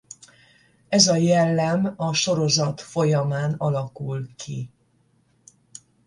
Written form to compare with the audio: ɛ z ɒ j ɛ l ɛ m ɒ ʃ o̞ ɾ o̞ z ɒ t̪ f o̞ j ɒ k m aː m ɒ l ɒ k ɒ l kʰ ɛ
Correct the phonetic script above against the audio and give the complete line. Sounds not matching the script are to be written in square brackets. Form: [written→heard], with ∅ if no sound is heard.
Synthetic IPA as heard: ɛ z ɒ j ɛ [l→lː] ɛ m ɒ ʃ o̞ ɾ o̞ z ɒ t̪ f o̞ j ɒ [k→∅] m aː [m→n] ɒ l ɒ k [ɒ→u] l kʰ [ɛ→i]